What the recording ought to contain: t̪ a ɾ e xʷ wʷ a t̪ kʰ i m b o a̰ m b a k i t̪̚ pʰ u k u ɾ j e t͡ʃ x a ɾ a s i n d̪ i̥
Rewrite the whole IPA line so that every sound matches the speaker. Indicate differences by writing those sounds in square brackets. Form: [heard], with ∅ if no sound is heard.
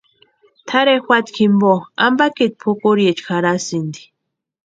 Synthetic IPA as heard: [t̪ʰ] a ɾ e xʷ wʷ a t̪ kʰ i m b o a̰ m b a k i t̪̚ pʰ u k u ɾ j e t͡ʃ x a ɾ a s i n d̪ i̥